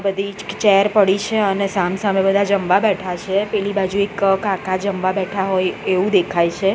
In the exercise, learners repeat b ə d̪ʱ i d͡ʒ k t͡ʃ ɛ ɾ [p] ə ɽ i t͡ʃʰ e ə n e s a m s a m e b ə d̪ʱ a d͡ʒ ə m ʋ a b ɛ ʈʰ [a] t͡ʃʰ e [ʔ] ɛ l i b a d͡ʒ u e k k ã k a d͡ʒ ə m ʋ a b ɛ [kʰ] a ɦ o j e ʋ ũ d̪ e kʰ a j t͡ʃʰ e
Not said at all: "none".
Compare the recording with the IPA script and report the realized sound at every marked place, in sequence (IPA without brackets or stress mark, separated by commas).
p, a, p, ʈʰ